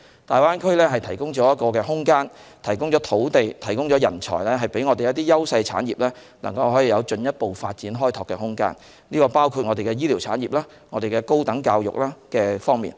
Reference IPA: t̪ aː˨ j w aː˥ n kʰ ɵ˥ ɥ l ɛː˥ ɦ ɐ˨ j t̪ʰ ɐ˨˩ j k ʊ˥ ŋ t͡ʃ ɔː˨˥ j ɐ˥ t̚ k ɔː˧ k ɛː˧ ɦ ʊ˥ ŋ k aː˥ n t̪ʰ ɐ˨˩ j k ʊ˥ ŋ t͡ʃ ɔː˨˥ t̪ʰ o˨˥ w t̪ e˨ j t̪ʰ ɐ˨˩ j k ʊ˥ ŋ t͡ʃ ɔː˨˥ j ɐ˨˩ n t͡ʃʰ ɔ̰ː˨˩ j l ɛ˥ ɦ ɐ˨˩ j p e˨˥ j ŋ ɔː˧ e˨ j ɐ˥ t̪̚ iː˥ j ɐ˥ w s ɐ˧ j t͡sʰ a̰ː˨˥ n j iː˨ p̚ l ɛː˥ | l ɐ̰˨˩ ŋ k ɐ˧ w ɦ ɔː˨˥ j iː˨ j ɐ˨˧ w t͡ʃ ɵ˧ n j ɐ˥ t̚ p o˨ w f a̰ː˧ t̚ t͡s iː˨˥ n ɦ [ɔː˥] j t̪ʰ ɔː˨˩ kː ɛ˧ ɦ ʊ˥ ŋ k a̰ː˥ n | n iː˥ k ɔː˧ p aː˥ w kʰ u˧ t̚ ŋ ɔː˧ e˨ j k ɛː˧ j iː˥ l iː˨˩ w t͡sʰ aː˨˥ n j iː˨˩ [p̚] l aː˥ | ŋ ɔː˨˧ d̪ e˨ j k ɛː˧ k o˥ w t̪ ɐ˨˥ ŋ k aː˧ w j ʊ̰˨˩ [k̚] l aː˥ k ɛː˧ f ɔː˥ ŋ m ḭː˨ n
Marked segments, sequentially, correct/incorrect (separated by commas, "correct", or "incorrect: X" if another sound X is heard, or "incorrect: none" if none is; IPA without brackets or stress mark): correct, correct, correct